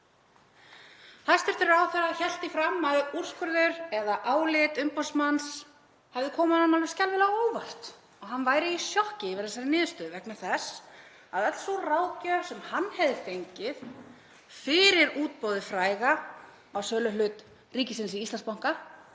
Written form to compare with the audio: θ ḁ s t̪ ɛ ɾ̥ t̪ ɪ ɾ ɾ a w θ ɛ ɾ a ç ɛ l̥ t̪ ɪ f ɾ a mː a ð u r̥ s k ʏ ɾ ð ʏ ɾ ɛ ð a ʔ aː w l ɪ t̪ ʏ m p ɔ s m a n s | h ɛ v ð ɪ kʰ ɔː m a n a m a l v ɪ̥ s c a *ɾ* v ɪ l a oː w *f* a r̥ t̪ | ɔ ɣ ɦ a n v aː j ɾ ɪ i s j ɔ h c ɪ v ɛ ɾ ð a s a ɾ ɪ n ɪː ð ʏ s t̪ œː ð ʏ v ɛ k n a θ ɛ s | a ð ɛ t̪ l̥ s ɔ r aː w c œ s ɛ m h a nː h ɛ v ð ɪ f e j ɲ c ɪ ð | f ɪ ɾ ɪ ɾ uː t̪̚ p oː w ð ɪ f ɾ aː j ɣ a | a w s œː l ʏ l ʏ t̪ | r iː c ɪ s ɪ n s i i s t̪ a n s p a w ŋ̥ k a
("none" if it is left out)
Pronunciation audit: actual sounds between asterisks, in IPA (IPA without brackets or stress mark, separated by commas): l, v